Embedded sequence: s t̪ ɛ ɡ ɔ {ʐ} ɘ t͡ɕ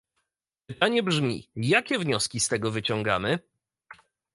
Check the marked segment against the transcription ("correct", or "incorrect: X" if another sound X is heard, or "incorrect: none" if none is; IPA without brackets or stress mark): incorrect: v